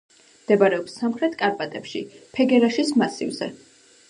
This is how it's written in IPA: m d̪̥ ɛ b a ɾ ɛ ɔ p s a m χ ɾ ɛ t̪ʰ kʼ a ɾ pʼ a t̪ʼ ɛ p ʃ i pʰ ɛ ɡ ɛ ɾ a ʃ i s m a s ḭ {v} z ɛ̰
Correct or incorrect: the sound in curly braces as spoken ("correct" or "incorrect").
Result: correct